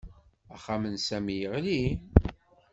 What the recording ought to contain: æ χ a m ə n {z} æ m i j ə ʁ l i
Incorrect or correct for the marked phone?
incorrect: s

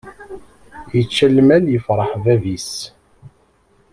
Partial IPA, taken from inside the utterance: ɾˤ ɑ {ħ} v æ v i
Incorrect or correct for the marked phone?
correct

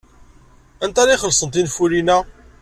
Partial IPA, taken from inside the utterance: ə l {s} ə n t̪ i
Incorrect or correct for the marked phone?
correct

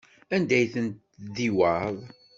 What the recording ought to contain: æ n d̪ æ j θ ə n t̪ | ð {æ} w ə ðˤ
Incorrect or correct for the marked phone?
incorrect: i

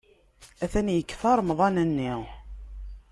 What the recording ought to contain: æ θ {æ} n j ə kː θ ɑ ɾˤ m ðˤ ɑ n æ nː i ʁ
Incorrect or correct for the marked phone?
correct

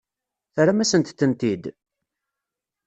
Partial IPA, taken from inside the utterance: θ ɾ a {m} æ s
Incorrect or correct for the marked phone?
correct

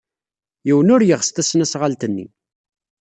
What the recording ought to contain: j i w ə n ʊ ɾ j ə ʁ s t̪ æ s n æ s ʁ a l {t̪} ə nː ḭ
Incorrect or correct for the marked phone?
correct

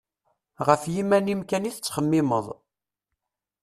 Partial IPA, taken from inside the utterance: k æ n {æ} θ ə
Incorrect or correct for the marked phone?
incorrect: i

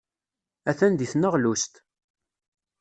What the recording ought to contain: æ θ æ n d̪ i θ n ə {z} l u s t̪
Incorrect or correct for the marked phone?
incorrect: ʁ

